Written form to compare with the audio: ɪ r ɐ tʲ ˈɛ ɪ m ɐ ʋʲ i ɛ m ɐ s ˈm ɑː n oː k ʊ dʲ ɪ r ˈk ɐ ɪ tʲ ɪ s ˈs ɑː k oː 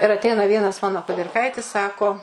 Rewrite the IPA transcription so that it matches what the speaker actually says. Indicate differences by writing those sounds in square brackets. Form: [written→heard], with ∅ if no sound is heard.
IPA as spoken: ɪ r ɐ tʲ ˈɛ ɪ [m→n] ɐ ʋʲ i ɛ [m→n] ɐ s ˈm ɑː n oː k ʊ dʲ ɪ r ˈk ɐ ɪ tʲ ɪ s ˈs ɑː k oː